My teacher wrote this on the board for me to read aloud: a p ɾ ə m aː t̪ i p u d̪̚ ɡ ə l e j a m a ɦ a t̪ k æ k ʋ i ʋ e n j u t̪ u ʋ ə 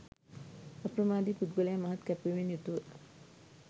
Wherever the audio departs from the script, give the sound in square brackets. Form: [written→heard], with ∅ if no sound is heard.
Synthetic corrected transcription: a p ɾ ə m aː [t̪→d̪] i p u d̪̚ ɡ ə l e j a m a ɦ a t̪ k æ [k→p] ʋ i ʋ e n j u t̪ u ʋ ə

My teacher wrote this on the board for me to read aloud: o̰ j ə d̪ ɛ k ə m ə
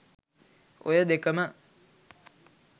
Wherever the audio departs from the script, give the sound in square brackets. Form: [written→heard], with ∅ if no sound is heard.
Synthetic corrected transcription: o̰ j ə d̪ [ɛ→e] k ə m ə

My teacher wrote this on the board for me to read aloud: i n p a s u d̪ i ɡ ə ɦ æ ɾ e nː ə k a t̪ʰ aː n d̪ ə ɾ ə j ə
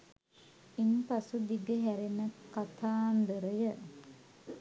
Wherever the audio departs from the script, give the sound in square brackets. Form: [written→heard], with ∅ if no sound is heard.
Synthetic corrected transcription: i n p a s u d̪ i ɡ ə ɦ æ ɾ e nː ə k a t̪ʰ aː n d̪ ə ɾ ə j ə

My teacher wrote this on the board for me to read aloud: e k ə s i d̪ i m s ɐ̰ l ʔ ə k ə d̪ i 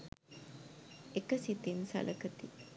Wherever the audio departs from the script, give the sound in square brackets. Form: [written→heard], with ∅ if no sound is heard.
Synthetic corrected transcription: e k ə s i [d̪→t̪] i [m→n] s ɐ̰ l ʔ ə k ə [d̪→t̪] i

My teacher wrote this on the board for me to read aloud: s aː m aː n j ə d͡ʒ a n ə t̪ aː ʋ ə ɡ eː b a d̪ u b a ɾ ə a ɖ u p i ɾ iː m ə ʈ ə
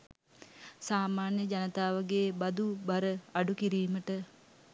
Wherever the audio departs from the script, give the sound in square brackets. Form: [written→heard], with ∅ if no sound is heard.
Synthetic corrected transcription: s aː m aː n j ə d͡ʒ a n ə t̪ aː ʋ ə ɡ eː b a d̪ u b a ɾ ə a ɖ u [p→k] i ɾ iː m ə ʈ ə

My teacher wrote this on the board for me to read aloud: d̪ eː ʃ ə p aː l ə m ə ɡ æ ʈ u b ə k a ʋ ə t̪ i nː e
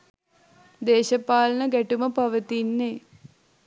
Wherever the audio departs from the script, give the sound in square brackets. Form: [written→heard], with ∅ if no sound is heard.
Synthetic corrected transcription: d̪ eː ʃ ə p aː l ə [m→n] ə ɡ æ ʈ u [b→m] ə [k→p] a ʋ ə t̪ i nː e

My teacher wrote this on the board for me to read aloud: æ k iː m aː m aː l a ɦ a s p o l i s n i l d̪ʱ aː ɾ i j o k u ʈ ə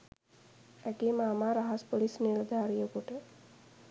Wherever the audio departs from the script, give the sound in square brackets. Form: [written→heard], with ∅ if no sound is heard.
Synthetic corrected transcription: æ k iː m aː m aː [l→ɾ] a ɦ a s p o l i s n i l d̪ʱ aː ɾ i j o k u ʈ ə

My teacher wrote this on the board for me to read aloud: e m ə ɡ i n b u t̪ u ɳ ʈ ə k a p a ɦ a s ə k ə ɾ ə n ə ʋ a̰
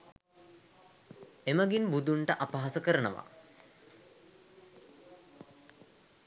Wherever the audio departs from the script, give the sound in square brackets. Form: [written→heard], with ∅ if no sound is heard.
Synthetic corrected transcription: e m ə ɡ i n b u [t̪→d̪] u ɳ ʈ ə [k→ʔ] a p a ɦ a s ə k ə ɾ ə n ə ʋ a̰

